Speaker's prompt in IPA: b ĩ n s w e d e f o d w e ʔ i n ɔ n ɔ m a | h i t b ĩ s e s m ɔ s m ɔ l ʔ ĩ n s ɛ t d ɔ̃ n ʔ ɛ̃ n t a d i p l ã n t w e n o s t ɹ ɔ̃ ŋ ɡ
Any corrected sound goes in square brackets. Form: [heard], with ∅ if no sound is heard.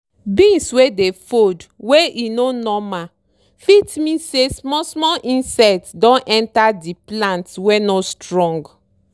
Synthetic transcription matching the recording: b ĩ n s w e d e f o d w e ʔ i n [o] n ɔ m a | [f] i t [m] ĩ s e s m ɔ s m ɔ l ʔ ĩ n s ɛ t d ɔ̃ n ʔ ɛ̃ n t a d i p l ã n t w e n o s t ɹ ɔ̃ ŋ ɡ